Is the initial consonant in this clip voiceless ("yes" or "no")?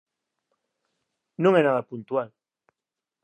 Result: no